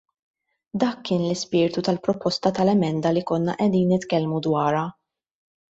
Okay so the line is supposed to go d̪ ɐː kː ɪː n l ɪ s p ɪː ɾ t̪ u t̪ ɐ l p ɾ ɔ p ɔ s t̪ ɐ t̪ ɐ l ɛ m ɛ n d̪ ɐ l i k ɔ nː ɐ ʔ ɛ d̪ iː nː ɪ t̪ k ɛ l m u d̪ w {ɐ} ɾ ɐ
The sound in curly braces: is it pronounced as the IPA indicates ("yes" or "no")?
no